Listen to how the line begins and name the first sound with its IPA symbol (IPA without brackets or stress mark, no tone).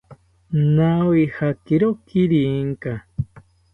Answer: n